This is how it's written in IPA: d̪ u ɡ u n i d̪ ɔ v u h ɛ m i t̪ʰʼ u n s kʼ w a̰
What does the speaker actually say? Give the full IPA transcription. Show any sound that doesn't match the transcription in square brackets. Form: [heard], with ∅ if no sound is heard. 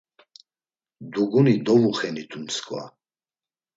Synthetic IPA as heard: d̪ u ɡ u n i d̪ ɔ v u [χ] ɛ [n] i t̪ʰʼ u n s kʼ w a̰